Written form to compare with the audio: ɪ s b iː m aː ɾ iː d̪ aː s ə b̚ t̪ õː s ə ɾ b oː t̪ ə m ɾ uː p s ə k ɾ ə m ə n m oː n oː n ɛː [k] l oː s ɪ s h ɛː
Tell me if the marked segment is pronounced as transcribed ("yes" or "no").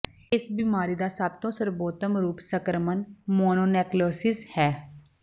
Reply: yes